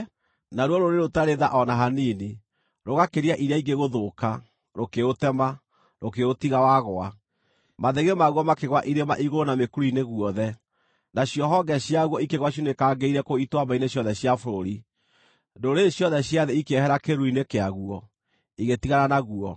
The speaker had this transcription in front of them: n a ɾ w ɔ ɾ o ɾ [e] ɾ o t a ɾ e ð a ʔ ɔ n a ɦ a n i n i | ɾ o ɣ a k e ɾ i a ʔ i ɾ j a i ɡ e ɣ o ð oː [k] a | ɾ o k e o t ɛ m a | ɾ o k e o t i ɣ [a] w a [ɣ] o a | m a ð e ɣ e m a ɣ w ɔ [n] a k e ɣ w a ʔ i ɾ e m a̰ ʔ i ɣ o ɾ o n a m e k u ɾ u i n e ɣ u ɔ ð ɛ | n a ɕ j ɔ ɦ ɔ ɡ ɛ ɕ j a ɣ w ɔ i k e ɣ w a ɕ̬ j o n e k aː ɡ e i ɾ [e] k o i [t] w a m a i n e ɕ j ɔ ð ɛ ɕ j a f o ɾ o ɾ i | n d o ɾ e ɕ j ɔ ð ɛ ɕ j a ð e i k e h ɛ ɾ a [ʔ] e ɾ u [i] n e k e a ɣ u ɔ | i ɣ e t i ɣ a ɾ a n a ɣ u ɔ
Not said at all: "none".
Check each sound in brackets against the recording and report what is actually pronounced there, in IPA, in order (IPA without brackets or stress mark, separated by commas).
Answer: e, k, a, ɣ, m, ɛ, t, k, i